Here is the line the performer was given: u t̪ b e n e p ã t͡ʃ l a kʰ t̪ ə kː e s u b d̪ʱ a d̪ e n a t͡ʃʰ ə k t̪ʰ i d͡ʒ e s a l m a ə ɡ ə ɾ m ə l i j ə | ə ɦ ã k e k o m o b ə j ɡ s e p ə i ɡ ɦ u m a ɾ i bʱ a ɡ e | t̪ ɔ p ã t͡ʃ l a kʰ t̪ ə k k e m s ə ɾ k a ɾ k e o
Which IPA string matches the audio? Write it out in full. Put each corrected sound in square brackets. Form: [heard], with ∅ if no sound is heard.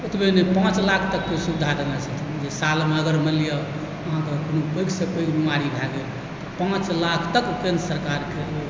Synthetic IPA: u t̪ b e n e p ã t͡ʃ l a kʰ t̪ ə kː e s u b d̪ʱ a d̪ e n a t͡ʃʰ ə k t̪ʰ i d͡ʒ e s a l m [e] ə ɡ ə ɾ m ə l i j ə | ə ɦ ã k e k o [n] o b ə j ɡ s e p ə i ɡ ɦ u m a ɾ i bʱ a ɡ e | t̪ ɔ p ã t͡ʃ l a kʰ t̪ ə k k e [n] s ə ɾ k a ɾ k e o